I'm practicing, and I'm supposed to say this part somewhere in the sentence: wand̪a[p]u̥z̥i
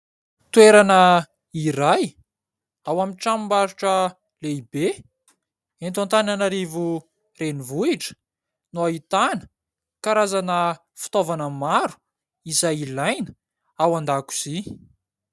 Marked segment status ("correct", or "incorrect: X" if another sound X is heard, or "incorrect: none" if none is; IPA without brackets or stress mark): incorrect: k